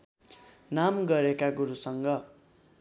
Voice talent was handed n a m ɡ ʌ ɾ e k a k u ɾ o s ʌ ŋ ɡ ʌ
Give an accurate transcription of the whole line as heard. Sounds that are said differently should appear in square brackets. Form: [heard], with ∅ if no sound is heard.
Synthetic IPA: n a m ɡ ʌ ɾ e k a [ɡ] u ɾ [u] s ʌ ŋ ɡ ʌ